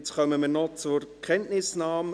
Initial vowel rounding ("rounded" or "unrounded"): rounded